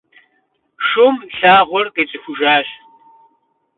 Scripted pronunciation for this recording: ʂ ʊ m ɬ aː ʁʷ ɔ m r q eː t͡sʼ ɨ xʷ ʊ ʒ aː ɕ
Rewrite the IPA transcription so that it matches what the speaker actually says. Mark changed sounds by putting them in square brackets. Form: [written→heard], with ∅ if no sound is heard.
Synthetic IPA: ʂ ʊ m ɬ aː ʁʷ ɔ [m→∅] r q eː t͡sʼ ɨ xʷ ʊ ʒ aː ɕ